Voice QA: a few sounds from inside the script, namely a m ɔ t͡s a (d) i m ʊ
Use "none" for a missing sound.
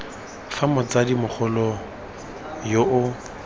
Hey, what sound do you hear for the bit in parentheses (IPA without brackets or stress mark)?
d